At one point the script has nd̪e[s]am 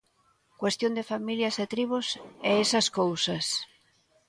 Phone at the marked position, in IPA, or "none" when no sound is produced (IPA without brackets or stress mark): f